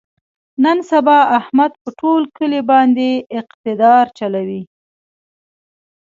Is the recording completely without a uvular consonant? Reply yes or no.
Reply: no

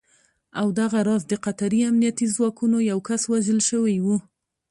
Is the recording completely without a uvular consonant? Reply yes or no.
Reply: no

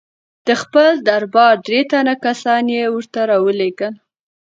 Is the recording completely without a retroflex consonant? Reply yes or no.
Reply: yes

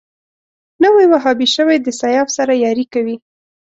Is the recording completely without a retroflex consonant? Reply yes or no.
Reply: yes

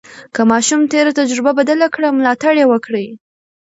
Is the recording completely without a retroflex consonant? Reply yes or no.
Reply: no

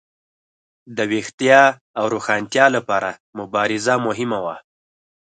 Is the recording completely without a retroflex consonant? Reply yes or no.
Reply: yes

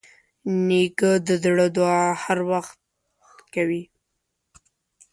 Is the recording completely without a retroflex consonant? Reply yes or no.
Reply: no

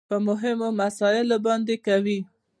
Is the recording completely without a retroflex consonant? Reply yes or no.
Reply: yes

